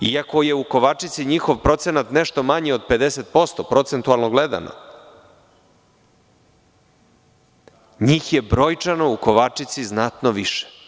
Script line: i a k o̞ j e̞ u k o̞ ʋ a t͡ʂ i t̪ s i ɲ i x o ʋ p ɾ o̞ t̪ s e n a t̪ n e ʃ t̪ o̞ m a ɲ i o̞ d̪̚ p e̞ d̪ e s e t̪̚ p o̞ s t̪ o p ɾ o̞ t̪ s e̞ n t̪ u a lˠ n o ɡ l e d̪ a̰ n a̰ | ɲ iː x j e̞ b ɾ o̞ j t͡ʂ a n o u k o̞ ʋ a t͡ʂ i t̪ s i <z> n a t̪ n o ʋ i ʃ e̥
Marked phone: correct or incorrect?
correct